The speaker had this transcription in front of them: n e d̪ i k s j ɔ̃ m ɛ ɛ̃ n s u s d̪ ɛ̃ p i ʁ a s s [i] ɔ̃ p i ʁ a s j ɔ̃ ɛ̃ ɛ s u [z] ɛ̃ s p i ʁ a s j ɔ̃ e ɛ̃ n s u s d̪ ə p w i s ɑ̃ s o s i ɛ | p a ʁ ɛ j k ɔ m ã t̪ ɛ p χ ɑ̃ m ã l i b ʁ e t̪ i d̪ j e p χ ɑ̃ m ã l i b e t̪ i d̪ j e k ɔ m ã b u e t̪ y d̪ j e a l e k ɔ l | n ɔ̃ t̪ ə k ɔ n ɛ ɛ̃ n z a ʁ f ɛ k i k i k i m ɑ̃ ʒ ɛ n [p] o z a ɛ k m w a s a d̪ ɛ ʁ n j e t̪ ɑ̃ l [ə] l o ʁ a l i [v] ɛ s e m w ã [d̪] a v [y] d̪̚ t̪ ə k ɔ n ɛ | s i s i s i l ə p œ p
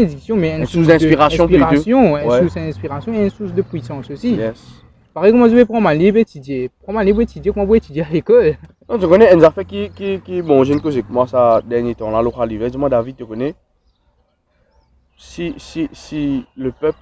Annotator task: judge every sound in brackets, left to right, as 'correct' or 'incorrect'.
incorrect, incorrect, incorrect, incorrect, correct, correct, incorrect

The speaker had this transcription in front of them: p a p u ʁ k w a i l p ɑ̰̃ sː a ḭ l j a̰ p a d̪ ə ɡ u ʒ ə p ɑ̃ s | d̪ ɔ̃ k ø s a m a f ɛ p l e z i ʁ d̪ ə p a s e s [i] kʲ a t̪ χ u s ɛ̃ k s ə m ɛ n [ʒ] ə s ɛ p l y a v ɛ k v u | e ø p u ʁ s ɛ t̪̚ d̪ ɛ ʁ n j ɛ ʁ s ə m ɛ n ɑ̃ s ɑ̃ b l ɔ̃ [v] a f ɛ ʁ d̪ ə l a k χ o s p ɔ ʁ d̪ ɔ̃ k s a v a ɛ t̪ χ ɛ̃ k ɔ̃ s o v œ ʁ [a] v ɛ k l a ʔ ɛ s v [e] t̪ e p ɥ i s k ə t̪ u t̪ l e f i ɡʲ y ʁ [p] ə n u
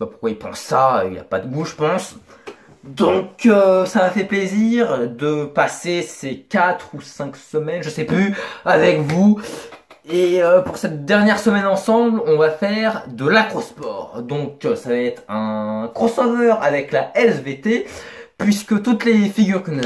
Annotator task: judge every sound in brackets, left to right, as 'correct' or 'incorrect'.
incorrect, correct, correct, correct, correct, incorrect

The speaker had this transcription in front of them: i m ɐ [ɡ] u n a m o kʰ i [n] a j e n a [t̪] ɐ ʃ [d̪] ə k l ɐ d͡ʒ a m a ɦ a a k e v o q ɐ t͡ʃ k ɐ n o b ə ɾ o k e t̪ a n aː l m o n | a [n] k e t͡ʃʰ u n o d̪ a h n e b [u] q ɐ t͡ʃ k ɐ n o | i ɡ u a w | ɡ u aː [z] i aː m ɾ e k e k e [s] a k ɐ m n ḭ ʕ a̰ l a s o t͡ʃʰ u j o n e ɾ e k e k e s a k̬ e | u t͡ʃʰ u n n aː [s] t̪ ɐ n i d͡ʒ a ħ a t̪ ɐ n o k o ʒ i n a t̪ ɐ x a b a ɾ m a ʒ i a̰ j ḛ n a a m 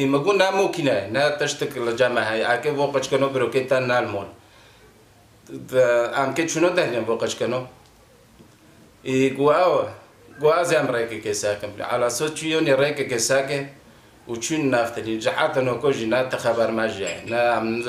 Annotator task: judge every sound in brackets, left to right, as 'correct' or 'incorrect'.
correct, correct, correct, incorrect, incorrect, incorrect, correct, correct, incorrect

